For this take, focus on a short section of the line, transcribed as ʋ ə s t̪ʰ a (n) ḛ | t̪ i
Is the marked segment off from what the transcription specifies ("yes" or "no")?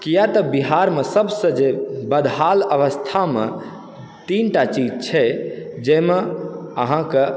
yes